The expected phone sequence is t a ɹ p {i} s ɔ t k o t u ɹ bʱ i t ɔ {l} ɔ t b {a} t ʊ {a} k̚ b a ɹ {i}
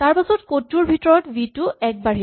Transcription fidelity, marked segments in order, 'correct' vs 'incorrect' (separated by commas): incorrect, incorrect, incorrect, incorrect, correct